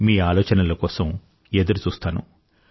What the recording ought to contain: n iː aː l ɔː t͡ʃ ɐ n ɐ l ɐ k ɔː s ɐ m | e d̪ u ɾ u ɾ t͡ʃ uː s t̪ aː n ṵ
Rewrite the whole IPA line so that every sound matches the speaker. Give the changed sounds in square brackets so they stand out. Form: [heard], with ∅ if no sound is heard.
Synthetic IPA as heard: [m] iː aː l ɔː t͡ʃ ɐ n ɐ l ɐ k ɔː s ɐ m | e d̪ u ɾ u [∅] t͡ʃ uː s t̪ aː n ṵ